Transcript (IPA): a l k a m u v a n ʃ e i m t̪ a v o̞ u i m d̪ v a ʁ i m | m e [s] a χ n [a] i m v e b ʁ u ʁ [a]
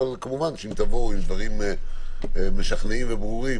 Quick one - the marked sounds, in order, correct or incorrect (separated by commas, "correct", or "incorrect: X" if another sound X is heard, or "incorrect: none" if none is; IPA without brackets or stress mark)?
incorrect: ʃ, incorrect: e, incorrect: i